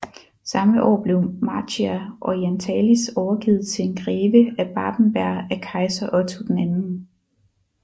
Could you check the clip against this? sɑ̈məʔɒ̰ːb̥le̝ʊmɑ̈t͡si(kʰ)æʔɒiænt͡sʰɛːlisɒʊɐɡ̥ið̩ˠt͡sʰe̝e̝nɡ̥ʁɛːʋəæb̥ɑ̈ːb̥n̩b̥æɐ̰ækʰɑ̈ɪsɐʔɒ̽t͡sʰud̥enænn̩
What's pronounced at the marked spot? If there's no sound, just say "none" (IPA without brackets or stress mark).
none